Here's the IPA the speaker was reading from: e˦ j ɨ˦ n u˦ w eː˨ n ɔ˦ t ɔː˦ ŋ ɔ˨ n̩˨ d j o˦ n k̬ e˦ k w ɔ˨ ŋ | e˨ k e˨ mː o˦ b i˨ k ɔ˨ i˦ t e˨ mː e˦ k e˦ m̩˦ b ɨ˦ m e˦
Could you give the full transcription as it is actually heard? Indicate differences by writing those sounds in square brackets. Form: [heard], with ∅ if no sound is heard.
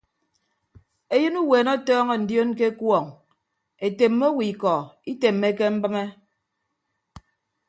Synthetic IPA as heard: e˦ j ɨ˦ n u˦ w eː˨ n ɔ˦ t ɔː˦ ŋ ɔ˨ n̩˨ d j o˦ n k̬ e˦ k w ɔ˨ ŋ | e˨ [t] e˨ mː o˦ [w] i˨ k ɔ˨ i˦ t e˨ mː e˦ k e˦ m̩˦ b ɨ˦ m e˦